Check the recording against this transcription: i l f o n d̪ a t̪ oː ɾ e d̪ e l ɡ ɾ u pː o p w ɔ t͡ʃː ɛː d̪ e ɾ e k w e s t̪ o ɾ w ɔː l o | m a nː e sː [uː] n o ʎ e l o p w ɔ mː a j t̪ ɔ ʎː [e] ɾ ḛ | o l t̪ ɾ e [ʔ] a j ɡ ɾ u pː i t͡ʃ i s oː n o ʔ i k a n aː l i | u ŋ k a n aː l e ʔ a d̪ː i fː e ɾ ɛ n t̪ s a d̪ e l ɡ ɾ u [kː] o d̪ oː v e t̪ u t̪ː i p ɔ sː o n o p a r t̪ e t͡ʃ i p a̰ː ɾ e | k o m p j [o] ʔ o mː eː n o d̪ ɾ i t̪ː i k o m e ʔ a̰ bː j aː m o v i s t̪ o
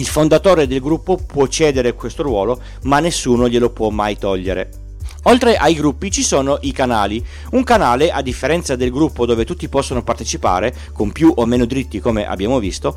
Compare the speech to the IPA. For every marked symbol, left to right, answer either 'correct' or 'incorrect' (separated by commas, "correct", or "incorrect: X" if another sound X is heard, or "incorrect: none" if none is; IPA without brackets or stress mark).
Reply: correct, correct, correct, incorrect: pː, incorrect: u